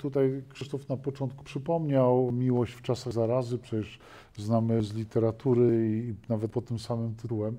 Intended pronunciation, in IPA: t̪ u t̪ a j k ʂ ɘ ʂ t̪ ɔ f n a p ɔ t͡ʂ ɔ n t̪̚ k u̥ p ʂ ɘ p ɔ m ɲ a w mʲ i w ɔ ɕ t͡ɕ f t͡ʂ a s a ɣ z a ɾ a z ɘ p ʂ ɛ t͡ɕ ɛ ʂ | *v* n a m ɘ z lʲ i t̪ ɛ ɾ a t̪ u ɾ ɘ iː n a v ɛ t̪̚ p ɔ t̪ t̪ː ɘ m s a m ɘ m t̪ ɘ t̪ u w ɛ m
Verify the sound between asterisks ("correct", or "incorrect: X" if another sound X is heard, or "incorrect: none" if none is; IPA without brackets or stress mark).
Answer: incorrect: z